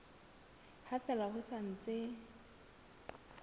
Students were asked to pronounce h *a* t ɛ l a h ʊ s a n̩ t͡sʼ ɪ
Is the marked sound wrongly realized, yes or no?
no